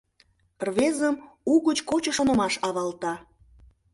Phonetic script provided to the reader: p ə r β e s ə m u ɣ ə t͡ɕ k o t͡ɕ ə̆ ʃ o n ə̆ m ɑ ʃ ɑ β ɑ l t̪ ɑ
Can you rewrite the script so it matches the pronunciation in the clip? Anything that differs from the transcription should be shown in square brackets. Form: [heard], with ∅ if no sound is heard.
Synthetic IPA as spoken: p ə r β e [z] ə m u ɣ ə t͡ɕ k o t͡ɕ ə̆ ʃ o n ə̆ m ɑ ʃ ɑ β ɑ l t̪ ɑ